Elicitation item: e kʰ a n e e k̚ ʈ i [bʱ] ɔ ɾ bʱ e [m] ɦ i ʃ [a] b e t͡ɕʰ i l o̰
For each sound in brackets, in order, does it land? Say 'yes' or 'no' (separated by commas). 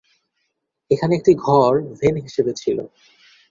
no, no, no